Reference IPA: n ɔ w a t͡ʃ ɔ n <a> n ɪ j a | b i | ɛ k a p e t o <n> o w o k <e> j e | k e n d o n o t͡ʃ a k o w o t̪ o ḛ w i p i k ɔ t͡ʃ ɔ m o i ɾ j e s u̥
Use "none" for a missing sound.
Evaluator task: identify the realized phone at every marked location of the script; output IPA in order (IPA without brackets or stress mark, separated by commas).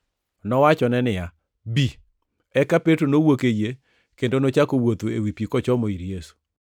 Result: ɛ, n, e